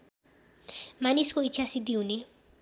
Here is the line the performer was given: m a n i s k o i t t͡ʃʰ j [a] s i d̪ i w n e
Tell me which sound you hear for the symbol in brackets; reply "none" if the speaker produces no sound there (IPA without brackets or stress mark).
a